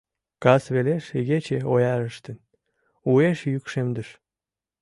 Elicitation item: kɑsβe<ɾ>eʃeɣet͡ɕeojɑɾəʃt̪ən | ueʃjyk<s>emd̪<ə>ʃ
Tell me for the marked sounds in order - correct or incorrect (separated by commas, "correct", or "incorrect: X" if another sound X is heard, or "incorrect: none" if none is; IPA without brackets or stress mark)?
incorrect: l, incorrect: ʃ, correct